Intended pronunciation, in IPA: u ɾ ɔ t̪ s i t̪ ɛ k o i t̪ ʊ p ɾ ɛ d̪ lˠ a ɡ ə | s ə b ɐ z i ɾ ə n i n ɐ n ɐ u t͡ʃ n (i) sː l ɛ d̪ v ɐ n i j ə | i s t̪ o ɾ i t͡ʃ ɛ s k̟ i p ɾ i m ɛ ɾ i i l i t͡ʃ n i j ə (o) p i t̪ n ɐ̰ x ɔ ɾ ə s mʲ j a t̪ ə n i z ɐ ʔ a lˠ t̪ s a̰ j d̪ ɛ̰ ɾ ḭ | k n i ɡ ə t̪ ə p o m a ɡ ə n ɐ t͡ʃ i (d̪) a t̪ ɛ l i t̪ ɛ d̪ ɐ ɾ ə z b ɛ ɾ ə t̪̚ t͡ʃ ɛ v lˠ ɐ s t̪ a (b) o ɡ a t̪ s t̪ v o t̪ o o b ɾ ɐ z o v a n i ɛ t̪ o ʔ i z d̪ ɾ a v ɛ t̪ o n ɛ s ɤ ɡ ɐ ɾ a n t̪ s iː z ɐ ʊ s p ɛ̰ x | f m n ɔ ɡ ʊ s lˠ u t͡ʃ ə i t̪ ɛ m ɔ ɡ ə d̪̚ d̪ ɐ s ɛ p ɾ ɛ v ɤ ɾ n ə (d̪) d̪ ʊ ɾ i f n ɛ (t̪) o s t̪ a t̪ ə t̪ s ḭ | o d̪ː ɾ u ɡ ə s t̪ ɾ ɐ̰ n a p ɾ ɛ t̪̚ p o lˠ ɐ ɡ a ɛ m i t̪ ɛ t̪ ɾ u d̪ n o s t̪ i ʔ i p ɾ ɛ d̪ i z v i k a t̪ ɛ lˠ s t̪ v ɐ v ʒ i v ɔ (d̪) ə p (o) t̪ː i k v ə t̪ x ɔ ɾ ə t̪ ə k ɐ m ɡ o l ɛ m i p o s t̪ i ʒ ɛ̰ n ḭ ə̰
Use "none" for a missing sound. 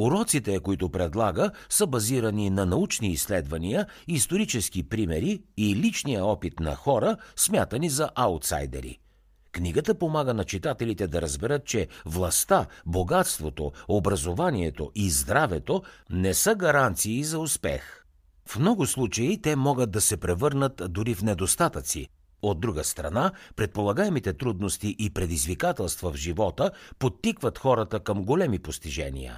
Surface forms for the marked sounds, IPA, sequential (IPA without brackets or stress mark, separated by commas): iː, ɔ, t̪, b, t̪, d̪, t̪, o